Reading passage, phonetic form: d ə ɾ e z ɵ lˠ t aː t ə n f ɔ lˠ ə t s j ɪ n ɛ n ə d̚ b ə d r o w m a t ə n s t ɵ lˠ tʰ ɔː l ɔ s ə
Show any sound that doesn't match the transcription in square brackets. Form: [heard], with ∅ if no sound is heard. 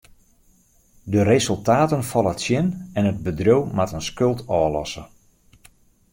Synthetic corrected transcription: d ə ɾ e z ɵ lˠ t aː t ə n f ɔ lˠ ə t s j ɪ n ɛ n ə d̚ b ə d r o w m a t ə n s [k] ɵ lˠ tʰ ɔː l ɔ s ə